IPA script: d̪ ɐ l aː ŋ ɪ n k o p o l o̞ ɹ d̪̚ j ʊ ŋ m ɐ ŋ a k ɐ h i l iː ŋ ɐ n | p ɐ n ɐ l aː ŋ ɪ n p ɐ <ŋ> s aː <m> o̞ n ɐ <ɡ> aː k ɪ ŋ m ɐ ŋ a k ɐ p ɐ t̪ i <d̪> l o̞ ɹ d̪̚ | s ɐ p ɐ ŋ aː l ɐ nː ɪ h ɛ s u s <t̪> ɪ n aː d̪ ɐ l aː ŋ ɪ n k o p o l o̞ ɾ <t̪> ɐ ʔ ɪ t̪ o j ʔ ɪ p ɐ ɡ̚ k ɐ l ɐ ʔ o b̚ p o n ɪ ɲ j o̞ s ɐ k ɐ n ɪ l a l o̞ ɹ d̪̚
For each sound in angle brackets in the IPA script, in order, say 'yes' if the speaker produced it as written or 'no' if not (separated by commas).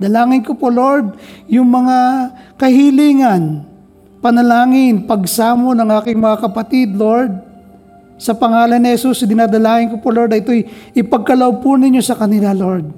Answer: no, yes, no, yes, no, no